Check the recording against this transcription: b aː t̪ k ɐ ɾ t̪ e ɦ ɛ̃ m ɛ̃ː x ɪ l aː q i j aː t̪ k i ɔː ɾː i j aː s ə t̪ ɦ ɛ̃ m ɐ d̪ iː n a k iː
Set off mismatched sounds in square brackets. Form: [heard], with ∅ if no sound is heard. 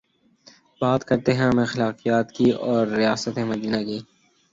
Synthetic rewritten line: b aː t̪ k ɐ ɾ t̪ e ɦ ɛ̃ m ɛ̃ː x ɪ l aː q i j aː t̪ k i ɔː ɾː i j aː s ə t̪ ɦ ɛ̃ m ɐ d̪ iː n a k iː